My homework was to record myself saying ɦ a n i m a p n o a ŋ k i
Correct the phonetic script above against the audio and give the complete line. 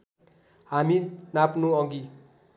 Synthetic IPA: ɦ a m i n a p n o ʌ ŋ ɡ i